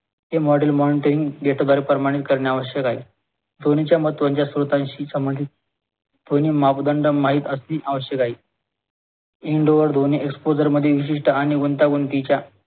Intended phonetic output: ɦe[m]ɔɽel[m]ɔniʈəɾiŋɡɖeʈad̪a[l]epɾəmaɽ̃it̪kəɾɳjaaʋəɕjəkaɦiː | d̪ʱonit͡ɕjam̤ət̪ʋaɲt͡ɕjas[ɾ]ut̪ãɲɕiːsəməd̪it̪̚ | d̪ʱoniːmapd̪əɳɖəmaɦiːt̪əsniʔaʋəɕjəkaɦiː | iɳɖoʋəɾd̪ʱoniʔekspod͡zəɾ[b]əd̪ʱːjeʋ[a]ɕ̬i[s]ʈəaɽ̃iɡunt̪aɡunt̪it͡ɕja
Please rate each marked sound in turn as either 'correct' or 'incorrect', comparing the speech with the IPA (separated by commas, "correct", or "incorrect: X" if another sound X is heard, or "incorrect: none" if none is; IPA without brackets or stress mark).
correct, correct, incorrect: ɾ, correct, incorrect: m, incorrect: i, incorrect: ʂ